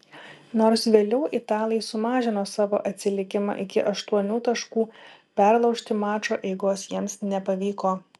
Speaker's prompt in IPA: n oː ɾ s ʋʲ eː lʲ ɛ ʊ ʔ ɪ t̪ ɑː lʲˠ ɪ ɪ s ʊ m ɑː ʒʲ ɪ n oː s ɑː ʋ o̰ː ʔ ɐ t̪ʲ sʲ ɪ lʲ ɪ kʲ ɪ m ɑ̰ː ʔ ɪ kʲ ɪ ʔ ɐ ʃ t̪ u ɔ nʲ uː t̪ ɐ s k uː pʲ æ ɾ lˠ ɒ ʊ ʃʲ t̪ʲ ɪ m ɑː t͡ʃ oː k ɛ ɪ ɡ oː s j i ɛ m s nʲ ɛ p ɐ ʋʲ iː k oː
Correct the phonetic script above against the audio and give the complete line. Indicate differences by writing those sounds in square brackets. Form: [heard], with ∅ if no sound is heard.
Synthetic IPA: n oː ɾ s ʋʲ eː lʲ ɛ ʊ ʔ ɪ t̪ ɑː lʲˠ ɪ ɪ s ʊ m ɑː ʒʲ ɪ n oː s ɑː ʋ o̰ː ʔ ɐ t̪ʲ sʲ ɪ lʲ ɪ kʲ ɪ m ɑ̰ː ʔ ɪ kʲ ɪ ʔ ɐ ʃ t̪ u ɔ nʲ uː t̪ ɐ [ʃ] k uː pʲ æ ɾ lˠ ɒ ʊ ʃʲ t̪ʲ ɪ m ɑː t͡ʃ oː [ʔ] ɛ ɪ ɡ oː s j i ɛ m s nʲ ɛ p ɐ ʋʲ iː k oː